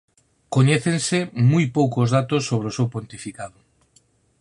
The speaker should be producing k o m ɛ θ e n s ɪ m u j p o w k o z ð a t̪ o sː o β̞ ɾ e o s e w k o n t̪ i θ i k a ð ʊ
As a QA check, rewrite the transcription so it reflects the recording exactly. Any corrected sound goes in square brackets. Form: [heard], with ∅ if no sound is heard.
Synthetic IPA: k o [ɲ] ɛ θ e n s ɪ m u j p o w k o z ð a t̪ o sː o β̞ ɾ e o s e w [p] o n t̪ i [f] i k a ð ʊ